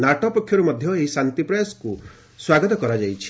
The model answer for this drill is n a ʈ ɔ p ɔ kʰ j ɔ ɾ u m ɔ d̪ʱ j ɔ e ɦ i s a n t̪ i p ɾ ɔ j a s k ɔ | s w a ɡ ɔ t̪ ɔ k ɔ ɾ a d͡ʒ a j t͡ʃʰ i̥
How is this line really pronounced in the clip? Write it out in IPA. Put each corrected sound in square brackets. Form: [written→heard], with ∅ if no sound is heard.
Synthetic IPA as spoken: n a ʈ ɔ p ɔ kʰ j ɔ ɾ u m ɔ d̪ʱ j ɔ e ɦ i s a n t̪ i p ɾ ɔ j a s k [ɔ→u] | s w a ɡ ɔ t̪ ɔ k ɔ ɾ a d͡ʒ a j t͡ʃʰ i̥